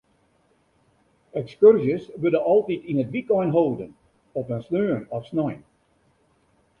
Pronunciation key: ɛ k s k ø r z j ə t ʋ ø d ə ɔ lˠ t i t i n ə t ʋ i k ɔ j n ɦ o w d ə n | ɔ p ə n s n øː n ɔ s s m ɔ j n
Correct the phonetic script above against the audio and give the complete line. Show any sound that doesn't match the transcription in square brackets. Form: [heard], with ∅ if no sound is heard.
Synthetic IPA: ɛ k s k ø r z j ə [s] ʋ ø d ə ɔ lˠ t i t i n ə t ʋ i k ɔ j n ɦ o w d ə n | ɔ p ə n s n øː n ɔ [f] s [n] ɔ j n